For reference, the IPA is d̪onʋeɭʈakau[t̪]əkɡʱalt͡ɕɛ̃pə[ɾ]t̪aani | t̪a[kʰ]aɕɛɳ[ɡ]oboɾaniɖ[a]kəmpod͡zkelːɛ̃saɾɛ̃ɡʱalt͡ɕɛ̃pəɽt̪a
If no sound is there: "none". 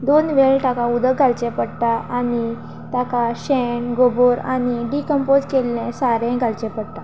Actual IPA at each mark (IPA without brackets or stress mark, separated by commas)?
d̪, ɽ, k, ɡ, i